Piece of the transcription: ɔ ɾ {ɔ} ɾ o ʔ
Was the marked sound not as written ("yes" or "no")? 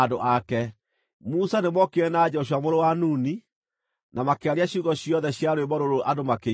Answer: yes